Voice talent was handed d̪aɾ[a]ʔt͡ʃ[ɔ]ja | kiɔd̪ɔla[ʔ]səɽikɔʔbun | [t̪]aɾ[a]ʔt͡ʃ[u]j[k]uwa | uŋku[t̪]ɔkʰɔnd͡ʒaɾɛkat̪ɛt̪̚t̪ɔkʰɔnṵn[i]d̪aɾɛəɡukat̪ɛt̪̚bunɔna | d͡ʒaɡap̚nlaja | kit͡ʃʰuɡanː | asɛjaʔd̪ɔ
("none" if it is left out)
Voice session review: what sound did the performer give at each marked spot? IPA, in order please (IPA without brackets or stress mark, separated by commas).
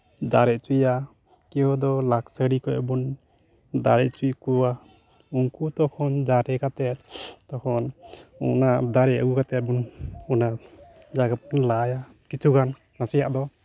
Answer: ɛ, u, k, d̪, ɛ, u, k, t̪, a